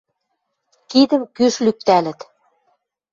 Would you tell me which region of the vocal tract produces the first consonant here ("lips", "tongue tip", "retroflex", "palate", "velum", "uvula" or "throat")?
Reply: velum